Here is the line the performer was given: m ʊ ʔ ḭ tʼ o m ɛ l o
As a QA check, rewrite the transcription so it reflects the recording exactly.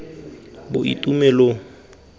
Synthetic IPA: b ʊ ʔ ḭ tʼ u m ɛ l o

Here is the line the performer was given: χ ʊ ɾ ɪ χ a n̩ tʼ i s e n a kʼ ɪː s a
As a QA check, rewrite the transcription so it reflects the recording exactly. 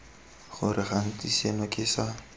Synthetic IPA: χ ʊ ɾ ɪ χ a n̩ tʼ i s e n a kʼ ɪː s a

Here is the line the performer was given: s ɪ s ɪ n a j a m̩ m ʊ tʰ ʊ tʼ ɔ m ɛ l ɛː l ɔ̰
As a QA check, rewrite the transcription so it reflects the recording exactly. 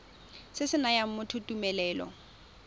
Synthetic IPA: s ɪ s ɪ n a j a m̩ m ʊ tʰ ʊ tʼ u m ɛ l ɛː l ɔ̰

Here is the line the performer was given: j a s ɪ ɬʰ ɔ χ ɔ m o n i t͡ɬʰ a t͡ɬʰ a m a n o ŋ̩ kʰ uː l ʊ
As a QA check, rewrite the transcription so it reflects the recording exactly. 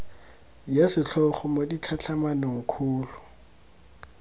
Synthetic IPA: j a s ɪ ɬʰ ɔ χ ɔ m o d i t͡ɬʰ a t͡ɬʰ a m a n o ŋ̩ kʰ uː l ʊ

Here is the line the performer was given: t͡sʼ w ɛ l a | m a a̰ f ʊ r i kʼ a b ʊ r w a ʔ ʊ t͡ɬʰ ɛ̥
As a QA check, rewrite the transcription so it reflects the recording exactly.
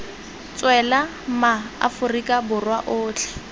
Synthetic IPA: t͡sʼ w ɛ l a | m a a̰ f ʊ r i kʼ a b ʊ r w a ʔ ʊː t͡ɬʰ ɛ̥

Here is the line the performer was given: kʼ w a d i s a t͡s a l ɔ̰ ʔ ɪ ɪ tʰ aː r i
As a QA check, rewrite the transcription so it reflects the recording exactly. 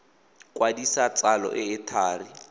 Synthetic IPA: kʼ w a d i s a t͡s a l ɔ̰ ʔ ɪ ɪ tʰ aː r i

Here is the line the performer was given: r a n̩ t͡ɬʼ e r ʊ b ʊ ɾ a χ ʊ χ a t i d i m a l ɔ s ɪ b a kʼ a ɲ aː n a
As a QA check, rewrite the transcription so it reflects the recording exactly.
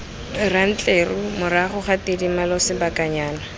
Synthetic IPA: r a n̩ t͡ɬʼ e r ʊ m ʊ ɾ a χ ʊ χ a t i d i m a l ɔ s ɪ b a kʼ a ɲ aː n a

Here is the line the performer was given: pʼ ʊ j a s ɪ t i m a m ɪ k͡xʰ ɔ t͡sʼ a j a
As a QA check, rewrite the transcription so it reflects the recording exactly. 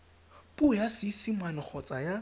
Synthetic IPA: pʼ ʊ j a s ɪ s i m a n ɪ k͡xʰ ɔ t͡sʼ a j a

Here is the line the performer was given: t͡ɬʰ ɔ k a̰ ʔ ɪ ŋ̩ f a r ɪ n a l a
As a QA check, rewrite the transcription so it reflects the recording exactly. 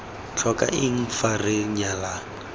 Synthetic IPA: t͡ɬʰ ɔ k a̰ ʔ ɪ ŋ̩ f a r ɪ ɲ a l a

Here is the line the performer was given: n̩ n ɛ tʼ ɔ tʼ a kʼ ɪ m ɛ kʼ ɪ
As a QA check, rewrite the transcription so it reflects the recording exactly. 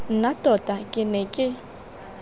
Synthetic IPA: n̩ n a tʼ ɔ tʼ a kʼ ɪ n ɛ kʼ ɪ

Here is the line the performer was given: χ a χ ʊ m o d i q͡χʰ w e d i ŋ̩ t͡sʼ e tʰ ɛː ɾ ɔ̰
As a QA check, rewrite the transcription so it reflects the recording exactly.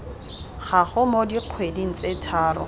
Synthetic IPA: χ a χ ʊ m o d i q͡χʰ w e d i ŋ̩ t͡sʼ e tʰ aː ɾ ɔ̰

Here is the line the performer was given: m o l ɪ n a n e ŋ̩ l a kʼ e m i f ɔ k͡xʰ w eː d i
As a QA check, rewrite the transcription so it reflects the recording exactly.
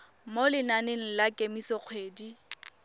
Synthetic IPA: m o l ɪ n a n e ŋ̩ l a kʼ e m i s ɔ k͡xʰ w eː d i

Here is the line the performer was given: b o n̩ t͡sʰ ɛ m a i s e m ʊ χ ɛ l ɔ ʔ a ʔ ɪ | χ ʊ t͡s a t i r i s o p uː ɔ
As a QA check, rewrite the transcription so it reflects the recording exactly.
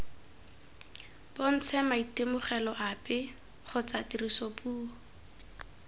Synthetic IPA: b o n̩ t͡sʰ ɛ m a i t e m ʊ χ ɛ l ɔ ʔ a p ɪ | χ ʊ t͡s a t i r i s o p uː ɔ

